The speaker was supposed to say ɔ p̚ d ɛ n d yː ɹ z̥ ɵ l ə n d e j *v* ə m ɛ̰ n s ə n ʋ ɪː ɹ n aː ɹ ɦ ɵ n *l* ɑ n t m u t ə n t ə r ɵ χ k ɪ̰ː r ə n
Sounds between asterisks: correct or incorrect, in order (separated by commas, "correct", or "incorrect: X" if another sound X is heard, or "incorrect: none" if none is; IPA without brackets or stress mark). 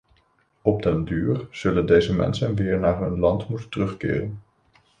incorrect: z, correct